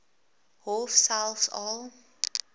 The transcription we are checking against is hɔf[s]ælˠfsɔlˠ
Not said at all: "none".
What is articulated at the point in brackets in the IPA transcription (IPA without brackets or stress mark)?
s